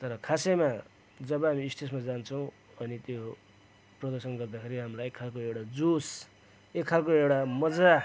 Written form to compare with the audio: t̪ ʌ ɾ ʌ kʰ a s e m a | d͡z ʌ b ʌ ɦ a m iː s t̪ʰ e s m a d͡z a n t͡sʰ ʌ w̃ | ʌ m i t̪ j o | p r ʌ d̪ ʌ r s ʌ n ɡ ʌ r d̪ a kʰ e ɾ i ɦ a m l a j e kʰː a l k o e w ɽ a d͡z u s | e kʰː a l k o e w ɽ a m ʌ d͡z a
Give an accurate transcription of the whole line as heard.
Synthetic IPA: t̪ ʌ ɾ ʌ kʰ a s e m a | d͡z ʌ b ʌ ɦ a m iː s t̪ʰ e s m a d͡z a n t͡sʰ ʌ w̃ | ʌ n i t̪ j o | p r ʌ d̪ ʌ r s ʌ n ɡ ʌ r d̪ a kʰ e ɾ i ɦ a m l a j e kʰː a l k o e w ɽ a d͡z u s | e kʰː a l k o e w ɽ a m ʌ d͡z a

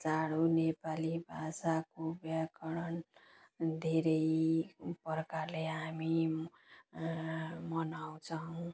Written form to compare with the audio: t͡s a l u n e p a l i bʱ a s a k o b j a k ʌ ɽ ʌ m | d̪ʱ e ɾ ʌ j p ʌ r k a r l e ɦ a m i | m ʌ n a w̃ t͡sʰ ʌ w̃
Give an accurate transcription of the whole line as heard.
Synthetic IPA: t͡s a ɽ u n e p a l i bʱ a s a k o b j a k ʌ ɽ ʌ n | d̪ʱ e ɾ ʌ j p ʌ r k a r l e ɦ a m i | m ʌ n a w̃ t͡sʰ ʌ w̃

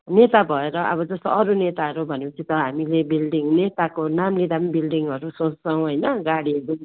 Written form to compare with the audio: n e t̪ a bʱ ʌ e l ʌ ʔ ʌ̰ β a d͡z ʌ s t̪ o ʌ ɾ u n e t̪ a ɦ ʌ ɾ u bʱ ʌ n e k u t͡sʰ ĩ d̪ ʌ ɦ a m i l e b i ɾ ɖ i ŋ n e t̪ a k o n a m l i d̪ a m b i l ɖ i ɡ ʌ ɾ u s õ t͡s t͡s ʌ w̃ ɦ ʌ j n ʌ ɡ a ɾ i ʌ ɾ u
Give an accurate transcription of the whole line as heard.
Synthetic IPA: n e t̪ a bʱ ʌ e ɾ ʌ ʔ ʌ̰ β ʌ d͡z ʌ s t̪ o ʌ ɾ u n e t̪ a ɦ ʌ ɾ u bʱ ʌ n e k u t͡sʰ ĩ t̪ ʌ ɦ a m i l e b i l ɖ i ŋ n e t̪ a k o n a m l i d̪ a m b i l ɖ i ŋ ʌ ɾ u s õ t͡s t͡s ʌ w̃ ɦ ʌ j n ʌ ɡ a ɽ i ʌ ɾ u

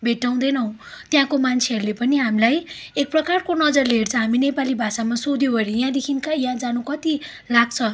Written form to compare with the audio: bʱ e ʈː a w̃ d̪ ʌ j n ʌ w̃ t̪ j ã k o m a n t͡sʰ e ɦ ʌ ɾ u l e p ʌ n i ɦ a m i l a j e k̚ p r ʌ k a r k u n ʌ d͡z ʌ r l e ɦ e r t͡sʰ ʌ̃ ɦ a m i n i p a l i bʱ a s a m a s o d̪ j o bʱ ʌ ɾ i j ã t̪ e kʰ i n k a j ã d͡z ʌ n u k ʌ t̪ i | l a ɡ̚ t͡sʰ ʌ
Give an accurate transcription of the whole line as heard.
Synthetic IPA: bʱ e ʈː a w̃ d̪ ʌ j n ʌ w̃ t̪ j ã k o m a n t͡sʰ e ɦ ʌ ɾ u l e p ʌ n i ɦ a m i l a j e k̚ p r ʌ k a r k o n ʌ d͡z ʌ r l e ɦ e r t͡sʰ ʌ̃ ɦ a m i n e p a l i bʱ a s a m a s o d̪ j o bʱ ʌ ɾ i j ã d̪ e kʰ i n k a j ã d͡z a n u k ʌ t̪ i | l a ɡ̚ t͡sʰ ʌ

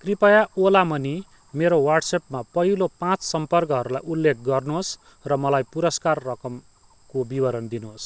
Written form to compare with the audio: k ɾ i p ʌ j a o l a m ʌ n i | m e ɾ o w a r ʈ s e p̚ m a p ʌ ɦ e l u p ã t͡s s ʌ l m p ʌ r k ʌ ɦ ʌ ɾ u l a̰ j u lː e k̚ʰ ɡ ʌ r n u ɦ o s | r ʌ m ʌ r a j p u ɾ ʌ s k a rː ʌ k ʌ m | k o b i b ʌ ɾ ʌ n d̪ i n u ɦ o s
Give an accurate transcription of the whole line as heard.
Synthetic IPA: k r i p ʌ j a o l a m ʌ n i | m e ɾ o w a r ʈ s e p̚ m a p ʌ ɦ i l o p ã t͡s s ʌ m p ʌ r k ʌ ɦ ʌ ɾ u l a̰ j u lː e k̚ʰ ɡ ʌ r n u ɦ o s | r ʌ m ʌ l a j p u ɾ ʌ s k a rː ʌ k ʌ m | k o b i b ʌ ɾ ʌ n d̪ i n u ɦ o s

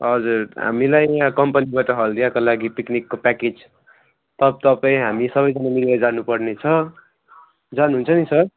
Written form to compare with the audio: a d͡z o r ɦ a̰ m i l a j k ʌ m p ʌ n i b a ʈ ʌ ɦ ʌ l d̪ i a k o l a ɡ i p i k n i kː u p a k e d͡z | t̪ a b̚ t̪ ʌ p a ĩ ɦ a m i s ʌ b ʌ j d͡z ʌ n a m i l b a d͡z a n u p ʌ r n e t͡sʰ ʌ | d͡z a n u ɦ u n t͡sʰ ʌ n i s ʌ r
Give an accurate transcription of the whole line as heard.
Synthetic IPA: ʌ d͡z u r ɦ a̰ m i l a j k ʌ m p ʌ n i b a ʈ ʌ ɦ ʌ l d̪ i a k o l a ɡ i p i k n i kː o p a k e d͡z | t̪ ʌ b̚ t̪ ʌ p a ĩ ɦ a m i s ʌ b ʌ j d͡z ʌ n a m i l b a d͡z a n u p ʌ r n e t͡sʰ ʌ | d͡z a n u ɦ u n t͡sʰ ʌ n i s ʌ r

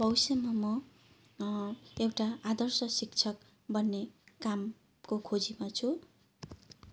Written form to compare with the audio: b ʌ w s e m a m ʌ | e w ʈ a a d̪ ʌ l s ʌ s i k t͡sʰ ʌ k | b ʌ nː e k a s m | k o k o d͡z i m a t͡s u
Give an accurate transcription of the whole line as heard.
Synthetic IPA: b ʌ w s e m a m ʌ | e w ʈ a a d̪ ʌ r s ʌ s i k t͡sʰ ʌ k | b ʌ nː e k a m | k o kʰ o d͡z i m a t͡sʰ u

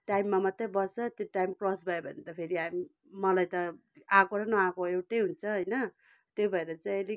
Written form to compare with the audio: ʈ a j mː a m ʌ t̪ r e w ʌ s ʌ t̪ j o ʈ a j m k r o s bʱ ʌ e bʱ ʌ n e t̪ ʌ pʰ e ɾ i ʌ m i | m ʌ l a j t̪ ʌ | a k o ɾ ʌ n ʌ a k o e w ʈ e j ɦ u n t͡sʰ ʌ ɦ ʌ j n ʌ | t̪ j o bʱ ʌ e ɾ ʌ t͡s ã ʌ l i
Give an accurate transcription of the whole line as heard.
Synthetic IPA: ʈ a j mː a m ʌ t̪ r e b ʌ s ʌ t̪ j o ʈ a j m k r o s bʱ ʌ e bʱ ʌ n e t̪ ʌ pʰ e ɾ i a m i | m ʌ l a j t̪ ʌ | a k o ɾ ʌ n ʌ a k o e w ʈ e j ɦ u n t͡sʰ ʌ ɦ ʌ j n ʌ | t̪ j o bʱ ʌ e ɾ ʌ t͡s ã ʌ l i

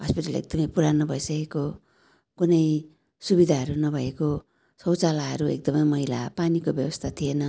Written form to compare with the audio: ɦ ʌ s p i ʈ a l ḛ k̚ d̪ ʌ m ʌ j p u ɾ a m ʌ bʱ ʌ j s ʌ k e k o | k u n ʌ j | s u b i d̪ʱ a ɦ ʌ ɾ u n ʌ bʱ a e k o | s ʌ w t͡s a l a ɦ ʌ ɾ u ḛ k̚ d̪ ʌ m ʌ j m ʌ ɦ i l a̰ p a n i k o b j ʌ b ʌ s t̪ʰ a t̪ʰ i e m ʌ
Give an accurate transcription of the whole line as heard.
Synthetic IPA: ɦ ʌ s p i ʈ a l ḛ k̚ d̪ ʌ m ʌ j p u ɾ a n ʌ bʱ ʌ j s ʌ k e k o | k u n ʌ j | s u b i d̪ʱ a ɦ ʌ ɾ u n ʌ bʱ ʌ e k o | s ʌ w t͡s a l a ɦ ʌ ɾ u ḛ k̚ d̪ ʌ m ʌ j m ʌ ɦ i l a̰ p a n i k o b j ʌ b ʌ s t̪ʰ a t̪ʰ i e n ʌ

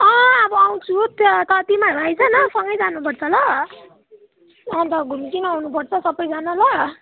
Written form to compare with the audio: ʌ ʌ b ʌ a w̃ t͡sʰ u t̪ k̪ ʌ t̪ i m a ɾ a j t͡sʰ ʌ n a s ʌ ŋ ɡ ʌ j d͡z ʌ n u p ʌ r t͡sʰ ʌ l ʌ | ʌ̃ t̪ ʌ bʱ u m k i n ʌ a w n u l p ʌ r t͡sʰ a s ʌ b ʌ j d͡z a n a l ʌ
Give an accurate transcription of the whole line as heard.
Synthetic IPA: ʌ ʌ b ʌ a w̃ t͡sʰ u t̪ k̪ ʌ t̪ i m a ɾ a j t͡sʰ ʌ n ʌ s ʌ ŋ ɡ ʌ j d͡z a n u p ʌ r t͡sʰ ʌ l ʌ | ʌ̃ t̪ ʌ ɡʱ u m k i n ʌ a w n u p ʌ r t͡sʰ ʌ s ʌ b ʌ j d͡z a n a l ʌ

